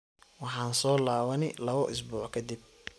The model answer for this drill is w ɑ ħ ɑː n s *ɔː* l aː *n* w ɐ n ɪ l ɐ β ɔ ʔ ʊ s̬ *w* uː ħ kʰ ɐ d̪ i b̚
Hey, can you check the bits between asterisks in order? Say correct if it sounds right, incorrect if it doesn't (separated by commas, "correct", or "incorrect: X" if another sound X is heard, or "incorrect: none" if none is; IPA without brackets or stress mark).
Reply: correct, incorrect: none, incorrect: b